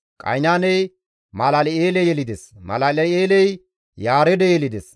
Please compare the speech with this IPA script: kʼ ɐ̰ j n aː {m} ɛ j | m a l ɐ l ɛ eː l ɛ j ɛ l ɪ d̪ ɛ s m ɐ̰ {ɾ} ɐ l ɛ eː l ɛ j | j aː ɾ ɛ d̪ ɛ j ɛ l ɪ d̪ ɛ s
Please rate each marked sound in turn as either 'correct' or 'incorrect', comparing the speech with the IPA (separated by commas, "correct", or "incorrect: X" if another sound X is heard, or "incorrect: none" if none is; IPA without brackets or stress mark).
incorrect: n, incorrect: l